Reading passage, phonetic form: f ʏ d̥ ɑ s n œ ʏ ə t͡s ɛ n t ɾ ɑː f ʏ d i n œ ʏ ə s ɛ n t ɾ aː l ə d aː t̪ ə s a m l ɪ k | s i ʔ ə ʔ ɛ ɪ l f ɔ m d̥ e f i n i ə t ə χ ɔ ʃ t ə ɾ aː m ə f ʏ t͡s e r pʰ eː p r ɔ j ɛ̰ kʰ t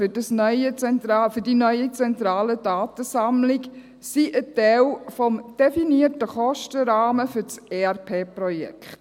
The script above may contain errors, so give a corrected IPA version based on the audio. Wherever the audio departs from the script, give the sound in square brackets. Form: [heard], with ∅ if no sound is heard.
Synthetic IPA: f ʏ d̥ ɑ s n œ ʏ ə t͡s ɛ n t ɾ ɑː f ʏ d i n œ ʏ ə [t͡s] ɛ n t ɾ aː l ə d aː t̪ ə s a m l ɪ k | s i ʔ ə [t] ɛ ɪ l f ɔ m d̥ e f i n i ə t ə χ ɔ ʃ t ə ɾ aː m ə f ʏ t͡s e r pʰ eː p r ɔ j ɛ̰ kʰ t